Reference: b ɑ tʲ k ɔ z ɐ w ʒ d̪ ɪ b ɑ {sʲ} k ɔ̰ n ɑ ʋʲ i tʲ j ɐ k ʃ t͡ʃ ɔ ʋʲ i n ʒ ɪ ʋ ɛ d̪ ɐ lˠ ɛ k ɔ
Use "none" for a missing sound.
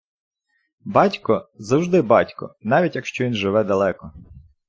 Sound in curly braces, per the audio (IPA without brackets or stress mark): tʲ